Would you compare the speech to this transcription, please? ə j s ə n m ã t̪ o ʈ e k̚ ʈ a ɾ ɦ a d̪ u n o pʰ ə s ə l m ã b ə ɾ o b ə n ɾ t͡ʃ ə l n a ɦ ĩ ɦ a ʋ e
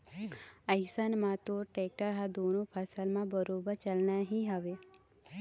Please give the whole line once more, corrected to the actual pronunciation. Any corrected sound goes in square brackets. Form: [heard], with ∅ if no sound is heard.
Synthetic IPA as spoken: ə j s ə n m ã t̪ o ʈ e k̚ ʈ [ə] ɾ ɦ a d̪ [o] n o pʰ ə s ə l m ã b ə ɾ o b ə [∅] ɾ t͡ʃ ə l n a ɦ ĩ ɦ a ʋ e